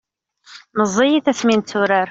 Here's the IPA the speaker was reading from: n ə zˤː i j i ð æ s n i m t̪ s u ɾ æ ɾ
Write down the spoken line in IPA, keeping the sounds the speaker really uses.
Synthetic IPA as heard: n ə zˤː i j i θ æ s m i n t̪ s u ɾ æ ɾ